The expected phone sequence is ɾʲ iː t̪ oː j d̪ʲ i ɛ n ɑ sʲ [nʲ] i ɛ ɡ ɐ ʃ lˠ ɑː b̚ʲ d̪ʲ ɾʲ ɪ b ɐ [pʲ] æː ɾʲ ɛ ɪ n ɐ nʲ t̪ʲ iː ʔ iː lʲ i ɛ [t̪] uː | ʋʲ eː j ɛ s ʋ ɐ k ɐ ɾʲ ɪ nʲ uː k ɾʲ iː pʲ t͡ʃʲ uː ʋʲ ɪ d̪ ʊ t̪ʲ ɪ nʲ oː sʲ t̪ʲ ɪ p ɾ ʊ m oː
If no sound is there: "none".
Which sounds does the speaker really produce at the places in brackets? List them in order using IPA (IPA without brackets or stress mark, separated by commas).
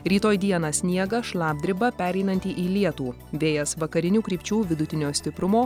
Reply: nʲ, pʲ, t̪